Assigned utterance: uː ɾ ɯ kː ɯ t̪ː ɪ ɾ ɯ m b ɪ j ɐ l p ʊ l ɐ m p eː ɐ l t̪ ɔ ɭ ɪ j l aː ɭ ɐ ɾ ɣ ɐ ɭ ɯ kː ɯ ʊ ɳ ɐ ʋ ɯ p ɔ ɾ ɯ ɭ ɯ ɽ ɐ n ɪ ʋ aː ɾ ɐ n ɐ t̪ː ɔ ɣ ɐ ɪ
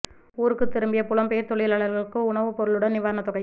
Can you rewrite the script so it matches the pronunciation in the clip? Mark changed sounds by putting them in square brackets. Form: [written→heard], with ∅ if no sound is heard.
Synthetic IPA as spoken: uː ɾ ɯ kː ɯ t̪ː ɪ ɾ ɯ m b ɪ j ɐ [l→∅] p ʊ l ɐ m p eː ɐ [l→ɾ] t̪ ɔ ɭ ɪ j l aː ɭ ɐ ɾ ɣ ɐ ɭ ɯ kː ɯ ʊ ɳ ɐ ʋ ɯ p ɔ ɾ ɯ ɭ ɯ ɽ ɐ n ɪ ʋ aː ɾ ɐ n ɐ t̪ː ɔ ɣ ɐ ɪ

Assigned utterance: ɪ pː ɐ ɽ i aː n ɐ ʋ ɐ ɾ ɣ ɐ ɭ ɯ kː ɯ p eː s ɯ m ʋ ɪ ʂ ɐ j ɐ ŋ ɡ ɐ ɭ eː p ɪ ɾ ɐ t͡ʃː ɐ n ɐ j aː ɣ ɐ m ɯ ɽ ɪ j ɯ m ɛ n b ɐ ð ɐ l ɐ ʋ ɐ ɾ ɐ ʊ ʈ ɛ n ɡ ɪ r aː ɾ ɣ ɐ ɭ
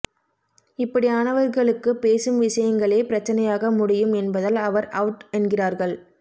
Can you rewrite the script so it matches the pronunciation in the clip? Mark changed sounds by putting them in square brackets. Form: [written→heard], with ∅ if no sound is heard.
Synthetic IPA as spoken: ɪ pː ɐ ɽ i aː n ɐ ʋ ɐ ɾ ɣ ɐ ɭ ɯ kː ɯ p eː s ɯ m ʋ ɪ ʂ ɐ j ɐ ŋ ɡ ɐ ɭ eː p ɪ ɾ ɐ t͡ʃː ɐ n ɐ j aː ɣ ɐ m [ɯ→ʊ] ɽ ɪ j ɯ m ɛ n b ɐ ð ɐ l ɐ ʋ ɐ ɾ ɐ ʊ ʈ ɛ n ɡ ɪ r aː ɾ ɣ ɐ ɭ

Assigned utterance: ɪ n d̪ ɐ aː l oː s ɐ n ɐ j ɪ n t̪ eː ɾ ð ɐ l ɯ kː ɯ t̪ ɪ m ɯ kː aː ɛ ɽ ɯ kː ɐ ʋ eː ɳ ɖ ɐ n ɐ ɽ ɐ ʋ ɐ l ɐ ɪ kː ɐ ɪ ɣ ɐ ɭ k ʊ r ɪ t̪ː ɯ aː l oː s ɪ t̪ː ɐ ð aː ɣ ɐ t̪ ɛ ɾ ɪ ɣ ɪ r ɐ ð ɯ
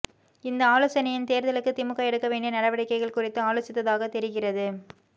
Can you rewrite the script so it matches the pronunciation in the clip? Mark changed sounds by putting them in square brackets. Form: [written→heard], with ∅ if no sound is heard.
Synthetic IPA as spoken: ɪ n d̪ ɐ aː l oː s ɐ n ɐ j ɪ n t̪ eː ɾ ð ɐ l ɯ kː ɯ t̪ ɪ m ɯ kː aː ɛ ɽ ɯ kː ɐ ʋ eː ɳ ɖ ɐ n ɐ ɽ ɐ ʋ ɐ [l→ɽ] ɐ ɪ kː ɐ ɪ ɣ ɐ ɭ k ʊ r ɪ t̪ː ɯ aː l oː s ɪ t̪ː ɐ ð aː ɣ ɐ t̪ ɛ ɾ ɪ ɣ ɪ r ɐ ð ɯ

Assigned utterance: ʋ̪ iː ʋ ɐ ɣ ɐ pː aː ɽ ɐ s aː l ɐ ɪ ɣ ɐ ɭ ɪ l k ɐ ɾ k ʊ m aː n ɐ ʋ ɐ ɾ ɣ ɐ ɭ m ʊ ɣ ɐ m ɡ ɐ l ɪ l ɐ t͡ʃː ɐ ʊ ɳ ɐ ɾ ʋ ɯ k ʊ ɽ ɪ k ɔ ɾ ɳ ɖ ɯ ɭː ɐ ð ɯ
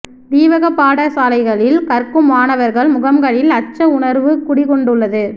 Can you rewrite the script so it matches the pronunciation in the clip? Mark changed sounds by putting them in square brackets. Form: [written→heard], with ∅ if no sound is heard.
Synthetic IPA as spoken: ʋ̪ iː ʋ ɐ ɣ ɐ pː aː ɽ ɐ s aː l ɐ ɪ ɣ ɐ ɭ ɪ l k ɐ ɾ k [ʊ→ɯ] m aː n ɐ ʋ ɐ ɾ ɣ ɐ ɭ m ʊ ɣ ɐ m ɡ ɐ [l→ɭ] ɪ l ɐ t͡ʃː ɐ ʊ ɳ ɐ ɾ ʋ ɯ k ʊ ɽ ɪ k ɔ [ɾ→∅] ɳ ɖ ɯ ɭː ɐ ð ɯ

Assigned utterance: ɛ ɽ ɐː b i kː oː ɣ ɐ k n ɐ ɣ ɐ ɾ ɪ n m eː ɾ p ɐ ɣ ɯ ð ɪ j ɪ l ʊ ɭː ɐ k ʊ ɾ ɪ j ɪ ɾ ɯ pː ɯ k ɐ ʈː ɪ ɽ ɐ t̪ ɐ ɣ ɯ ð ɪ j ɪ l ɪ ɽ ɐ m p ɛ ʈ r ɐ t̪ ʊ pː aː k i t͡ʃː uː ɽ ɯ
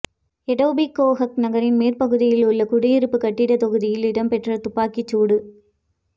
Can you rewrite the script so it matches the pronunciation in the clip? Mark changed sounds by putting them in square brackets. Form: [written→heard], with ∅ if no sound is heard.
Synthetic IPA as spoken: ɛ ɽ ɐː b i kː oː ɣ ɐ k n ɐ ɣ ɐ ɾ ɪ n m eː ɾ p ɐ ɣ ɯ ð ɪ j ɪ l ʊ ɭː ɐ k ʊ [ɾ→ɽ] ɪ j ɪ ɾ ɯ pː ɯ k ɐ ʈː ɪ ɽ ɐ t̪ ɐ ɣ ɯ ð ɪ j ɪ l ɪ ɽ ɐ m p ɛ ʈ r ɐ t̪ ʊ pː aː k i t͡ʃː uː ɽ ɯ

